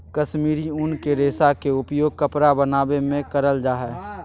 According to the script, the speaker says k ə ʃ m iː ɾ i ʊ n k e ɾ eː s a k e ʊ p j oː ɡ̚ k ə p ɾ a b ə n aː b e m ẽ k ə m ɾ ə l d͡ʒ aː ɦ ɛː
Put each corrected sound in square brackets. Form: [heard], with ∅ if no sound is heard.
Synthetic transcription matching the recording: k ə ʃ m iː ɾ i ʊ n k e ɾ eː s a k e ʊ p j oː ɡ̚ k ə p ɾ a b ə n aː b e m ẽ k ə [∅] ɾ ə l d͡ʒ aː ɦ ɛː